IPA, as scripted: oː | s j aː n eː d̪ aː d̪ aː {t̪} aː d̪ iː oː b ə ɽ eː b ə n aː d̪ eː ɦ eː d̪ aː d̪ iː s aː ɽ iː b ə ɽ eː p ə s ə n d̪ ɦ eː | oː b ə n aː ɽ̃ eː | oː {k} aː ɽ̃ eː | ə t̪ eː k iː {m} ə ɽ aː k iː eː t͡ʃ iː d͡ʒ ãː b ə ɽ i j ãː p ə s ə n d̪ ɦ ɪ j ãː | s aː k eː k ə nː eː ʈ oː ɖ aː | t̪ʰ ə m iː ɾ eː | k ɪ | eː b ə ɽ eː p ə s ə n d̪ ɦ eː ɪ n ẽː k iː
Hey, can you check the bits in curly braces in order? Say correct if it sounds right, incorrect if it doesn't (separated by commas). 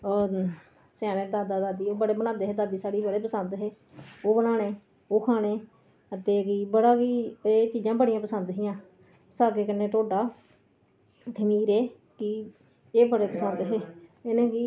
incorrect, incorrect, incorrect